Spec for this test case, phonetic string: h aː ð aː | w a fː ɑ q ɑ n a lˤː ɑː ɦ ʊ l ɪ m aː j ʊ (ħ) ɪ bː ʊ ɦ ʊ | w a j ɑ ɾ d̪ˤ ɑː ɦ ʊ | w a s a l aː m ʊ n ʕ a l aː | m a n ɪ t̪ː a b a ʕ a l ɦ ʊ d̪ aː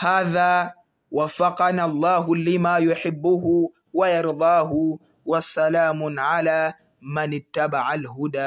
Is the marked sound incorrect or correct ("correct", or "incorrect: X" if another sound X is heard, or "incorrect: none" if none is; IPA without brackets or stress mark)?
correct